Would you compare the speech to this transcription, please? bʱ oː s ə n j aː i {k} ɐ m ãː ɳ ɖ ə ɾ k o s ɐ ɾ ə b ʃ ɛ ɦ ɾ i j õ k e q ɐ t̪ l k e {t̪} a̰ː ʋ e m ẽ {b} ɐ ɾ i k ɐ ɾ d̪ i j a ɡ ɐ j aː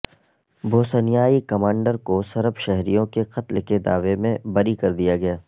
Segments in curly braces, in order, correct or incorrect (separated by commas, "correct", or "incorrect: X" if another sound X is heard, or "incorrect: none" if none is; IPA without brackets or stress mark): correct, incorrect: d̪, correct